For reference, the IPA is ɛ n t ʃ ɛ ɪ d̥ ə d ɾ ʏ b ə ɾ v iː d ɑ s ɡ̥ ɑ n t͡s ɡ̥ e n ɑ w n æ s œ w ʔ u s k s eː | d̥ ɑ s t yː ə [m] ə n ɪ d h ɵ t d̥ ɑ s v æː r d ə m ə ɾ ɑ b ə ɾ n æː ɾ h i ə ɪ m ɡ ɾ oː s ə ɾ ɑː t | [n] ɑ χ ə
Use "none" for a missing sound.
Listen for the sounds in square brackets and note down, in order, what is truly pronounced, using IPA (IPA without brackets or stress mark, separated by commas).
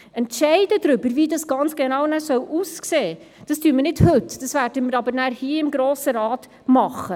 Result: m, m